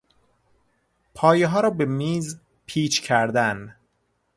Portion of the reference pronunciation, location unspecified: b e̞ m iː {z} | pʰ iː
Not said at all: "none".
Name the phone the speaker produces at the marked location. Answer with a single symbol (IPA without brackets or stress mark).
z